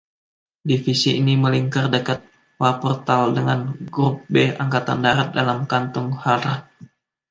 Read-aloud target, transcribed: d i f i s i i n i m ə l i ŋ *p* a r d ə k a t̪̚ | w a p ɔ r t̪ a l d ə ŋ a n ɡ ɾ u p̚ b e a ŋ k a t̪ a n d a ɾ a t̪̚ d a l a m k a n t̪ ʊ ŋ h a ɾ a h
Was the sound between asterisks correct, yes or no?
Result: no